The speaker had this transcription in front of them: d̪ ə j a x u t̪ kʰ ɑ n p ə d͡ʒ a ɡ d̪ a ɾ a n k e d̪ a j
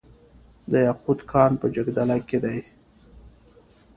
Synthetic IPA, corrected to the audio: d̪ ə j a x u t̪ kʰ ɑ n p ə d͡ʒ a ɡ d̪ a l a k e d̪ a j